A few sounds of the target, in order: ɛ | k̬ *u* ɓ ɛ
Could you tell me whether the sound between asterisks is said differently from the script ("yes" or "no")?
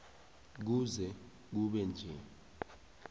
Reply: no